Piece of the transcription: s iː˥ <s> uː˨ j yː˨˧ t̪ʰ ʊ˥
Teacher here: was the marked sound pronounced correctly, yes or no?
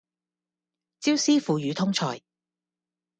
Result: no